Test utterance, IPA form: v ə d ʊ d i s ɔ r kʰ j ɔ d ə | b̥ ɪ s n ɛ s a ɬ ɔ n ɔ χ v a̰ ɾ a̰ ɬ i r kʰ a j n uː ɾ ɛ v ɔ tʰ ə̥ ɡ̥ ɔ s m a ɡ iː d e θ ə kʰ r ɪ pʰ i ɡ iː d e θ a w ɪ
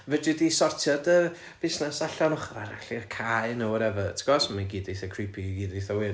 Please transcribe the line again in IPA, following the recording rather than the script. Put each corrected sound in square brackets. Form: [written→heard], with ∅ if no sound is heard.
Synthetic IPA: v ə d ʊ d i s ɔ r [kʰ→tʰ] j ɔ d ə | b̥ ɪ s n ɛ s a ɬ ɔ n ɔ χ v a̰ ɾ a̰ ɬ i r kʰ a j n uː ɾ ɛ v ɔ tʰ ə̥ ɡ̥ ɔ s m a ɡ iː d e θ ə kʰ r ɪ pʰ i ɡ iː d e θ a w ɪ